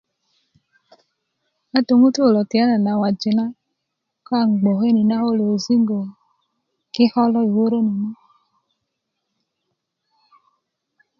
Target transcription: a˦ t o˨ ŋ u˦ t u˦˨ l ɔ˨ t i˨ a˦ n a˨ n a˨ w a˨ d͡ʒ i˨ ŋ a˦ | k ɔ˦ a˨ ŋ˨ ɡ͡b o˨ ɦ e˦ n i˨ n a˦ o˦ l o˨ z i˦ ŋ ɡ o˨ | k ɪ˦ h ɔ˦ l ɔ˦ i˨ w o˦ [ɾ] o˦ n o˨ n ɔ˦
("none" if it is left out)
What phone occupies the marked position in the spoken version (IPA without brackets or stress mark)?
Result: ɾ